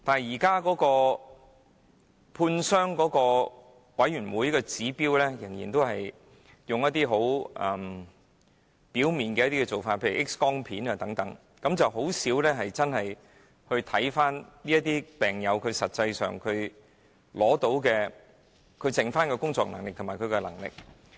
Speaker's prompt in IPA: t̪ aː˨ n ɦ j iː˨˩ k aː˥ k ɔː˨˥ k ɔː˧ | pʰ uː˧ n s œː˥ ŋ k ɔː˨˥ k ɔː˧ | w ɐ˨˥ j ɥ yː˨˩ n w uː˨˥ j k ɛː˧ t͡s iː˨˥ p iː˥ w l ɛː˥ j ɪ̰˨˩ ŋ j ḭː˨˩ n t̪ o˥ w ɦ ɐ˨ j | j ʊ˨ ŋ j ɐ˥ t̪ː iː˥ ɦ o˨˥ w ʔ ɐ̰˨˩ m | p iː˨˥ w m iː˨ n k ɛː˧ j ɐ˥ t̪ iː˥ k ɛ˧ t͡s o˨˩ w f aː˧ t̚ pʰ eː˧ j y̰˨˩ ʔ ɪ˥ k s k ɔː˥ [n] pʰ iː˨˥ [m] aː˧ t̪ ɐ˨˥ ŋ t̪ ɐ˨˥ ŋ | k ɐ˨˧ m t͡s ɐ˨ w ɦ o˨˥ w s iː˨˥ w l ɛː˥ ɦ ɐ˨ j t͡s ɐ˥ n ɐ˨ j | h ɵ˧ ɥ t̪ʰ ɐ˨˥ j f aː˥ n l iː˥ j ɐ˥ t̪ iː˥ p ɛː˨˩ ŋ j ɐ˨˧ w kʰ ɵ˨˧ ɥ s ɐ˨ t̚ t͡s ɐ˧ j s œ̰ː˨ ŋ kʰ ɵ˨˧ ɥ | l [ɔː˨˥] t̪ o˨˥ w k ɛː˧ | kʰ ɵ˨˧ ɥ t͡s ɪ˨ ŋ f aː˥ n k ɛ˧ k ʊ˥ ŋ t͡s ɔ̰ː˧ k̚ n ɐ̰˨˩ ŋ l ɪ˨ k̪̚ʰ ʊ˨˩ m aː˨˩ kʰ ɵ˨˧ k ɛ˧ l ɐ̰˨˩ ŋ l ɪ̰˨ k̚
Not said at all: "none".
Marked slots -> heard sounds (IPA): ŋ, n, ɔː˨˥

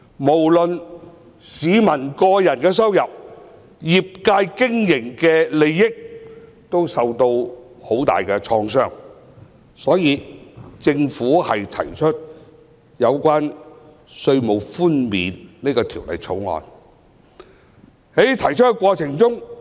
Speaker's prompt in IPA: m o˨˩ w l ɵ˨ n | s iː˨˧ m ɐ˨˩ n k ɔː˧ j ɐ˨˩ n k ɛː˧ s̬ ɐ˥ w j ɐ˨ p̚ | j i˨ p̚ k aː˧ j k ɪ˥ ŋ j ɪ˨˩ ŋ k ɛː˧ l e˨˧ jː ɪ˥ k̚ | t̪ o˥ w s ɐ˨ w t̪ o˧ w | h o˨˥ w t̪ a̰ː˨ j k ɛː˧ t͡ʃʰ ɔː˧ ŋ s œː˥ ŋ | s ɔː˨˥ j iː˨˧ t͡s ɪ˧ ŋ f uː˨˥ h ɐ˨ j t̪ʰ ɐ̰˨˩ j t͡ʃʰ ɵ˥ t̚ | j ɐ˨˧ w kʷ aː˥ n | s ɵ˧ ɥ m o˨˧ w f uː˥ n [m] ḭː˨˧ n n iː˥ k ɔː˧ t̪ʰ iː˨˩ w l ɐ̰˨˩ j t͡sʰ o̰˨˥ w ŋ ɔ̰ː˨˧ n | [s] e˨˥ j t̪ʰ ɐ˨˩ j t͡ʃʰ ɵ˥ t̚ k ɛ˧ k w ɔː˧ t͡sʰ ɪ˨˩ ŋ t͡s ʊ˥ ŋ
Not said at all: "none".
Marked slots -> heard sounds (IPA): m, h

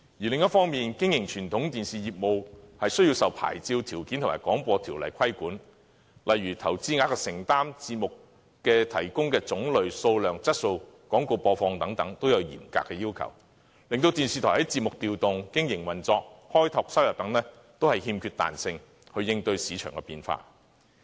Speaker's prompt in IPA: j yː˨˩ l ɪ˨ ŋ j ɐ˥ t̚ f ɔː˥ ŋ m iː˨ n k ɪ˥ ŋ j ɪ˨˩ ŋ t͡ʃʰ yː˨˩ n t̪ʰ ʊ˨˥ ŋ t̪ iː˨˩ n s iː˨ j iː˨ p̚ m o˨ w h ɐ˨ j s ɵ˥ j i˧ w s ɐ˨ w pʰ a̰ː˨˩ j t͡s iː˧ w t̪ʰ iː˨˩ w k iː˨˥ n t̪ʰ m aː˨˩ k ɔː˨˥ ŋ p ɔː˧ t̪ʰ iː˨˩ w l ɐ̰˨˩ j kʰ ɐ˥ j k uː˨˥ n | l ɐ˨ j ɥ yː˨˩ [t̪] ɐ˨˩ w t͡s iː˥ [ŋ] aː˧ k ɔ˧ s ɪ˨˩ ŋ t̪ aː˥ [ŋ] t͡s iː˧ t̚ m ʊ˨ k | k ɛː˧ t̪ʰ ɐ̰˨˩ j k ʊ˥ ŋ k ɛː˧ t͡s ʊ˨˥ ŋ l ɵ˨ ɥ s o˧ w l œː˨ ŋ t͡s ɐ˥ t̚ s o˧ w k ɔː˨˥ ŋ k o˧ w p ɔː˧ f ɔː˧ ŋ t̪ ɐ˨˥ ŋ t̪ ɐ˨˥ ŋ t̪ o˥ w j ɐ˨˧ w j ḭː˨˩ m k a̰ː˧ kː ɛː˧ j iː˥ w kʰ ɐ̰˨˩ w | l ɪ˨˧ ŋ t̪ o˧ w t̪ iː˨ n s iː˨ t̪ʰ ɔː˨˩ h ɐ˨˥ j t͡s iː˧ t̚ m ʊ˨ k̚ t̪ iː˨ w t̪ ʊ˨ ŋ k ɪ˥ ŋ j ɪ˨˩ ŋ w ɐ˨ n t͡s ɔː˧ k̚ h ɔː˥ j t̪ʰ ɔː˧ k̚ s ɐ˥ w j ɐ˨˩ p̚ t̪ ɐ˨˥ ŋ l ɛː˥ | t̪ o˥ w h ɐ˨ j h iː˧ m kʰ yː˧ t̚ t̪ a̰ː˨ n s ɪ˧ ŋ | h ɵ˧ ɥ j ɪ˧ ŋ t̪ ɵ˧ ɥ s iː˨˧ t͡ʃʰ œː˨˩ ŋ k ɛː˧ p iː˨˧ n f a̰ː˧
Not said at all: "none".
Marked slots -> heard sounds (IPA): t̪ʰ, ŋ, m

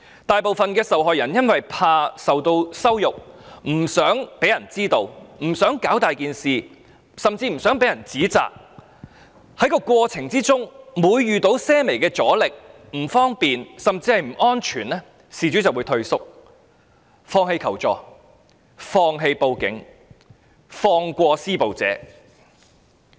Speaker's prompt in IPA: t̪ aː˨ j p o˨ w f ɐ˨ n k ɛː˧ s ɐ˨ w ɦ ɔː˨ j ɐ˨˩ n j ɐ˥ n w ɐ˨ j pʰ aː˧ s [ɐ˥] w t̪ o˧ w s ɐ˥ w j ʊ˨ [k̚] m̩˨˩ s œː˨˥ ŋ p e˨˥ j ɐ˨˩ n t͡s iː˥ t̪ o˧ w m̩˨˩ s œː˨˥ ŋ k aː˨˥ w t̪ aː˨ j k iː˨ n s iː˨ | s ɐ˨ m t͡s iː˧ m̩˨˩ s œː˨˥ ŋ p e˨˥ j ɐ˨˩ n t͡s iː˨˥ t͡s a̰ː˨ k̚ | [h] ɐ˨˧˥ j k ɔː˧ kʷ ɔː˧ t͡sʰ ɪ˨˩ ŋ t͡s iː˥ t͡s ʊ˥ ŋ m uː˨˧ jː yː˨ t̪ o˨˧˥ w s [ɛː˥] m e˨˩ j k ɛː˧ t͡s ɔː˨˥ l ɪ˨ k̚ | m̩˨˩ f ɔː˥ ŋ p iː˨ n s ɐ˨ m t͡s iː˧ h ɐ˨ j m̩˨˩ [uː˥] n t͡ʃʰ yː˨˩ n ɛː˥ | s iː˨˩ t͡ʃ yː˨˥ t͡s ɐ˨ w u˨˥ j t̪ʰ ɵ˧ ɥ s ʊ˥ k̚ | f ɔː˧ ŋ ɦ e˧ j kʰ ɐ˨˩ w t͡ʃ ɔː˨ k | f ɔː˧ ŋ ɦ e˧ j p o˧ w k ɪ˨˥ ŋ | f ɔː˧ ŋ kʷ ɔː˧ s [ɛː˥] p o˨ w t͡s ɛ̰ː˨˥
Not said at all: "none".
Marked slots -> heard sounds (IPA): ɐ˨, k̚, h, ɛː˥, ɔː˥, iː˥

